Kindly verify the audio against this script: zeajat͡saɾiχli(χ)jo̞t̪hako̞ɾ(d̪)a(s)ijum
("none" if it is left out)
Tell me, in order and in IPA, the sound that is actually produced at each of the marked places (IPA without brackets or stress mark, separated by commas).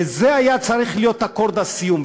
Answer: none, d̪, s